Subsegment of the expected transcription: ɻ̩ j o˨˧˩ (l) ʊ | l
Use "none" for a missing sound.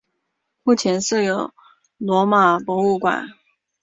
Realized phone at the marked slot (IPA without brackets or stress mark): none